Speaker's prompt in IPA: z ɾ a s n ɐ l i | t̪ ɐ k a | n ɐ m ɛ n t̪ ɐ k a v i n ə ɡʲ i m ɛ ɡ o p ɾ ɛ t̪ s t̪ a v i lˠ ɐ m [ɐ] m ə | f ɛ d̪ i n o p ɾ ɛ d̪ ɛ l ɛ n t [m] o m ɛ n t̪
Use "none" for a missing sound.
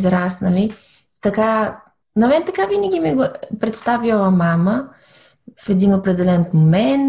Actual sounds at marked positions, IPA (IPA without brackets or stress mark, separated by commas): a, m